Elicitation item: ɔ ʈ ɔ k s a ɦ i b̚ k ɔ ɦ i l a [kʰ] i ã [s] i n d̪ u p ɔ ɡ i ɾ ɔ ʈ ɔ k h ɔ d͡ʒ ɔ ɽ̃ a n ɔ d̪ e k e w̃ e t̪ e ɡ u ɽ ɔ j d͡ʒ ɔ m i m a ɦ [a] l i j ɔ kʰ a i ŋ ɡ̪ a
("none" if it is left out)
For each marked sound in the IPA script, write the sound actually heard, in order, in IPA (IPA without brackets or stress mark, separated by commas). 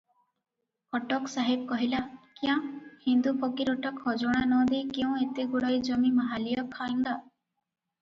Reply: k, h, a